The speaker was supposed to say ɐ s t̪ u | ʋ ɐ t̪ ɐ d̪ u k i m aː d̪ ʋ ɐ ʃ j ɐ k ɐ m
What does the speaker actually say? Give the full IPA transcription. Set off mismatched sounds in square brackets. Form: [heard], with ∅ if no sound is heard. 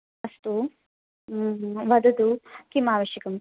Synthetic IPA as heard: ɐ s t̪ u | ʋ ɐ [d̪] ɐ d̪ u k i m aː [∅] ʋ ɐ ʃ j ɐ k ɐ m